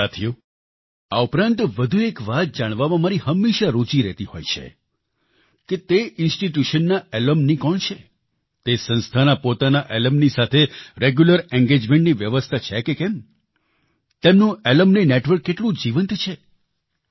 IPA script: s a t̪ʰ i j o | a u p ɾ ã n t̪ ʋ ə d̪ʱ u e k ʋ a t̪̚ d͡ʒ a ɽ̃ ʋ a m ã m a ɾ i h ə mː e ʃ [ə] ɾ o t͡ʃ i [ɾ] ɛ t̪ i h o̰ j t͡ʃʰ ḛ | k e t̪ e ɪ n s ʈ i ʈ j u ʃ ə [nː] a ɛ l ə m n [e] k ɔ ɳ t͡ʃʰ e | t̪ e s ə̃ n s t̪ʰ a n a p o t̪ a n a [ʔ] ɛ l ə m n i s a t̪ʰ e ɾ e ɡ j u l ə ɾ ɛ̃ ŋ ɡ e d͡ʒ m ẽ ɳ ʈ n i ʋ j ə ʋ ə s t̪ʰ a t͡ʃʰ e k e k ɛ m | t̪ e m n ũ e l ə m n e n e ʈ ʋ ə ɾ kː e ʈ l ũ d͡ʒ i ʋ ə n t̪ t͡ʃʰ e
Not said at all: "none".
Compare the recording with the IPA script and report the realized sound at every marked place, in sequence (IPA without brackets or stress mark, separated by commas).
a, ɾ, nː, i, ʔ